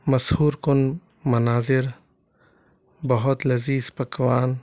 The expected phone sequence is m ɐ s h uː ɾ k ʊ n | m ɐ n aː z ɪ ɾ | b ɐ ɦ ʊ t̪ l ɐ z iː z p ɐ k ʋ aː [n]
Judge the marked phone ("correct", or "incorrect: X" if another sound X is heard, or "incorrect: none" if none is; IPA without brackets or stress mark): correct